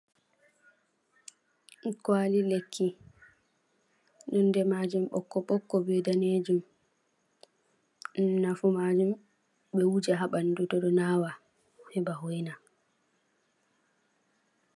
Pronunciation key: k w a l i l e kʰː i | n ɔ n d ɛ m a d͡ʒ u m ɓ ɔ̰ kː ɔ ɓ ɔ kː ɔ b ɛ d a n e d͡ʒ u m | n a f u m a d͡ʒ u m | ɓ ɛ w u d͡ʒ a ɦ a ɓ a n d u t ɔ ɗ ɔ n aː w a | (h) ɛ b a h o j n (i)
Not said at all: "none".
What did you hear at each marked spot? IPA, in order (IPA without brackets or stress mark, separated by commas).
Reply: h, a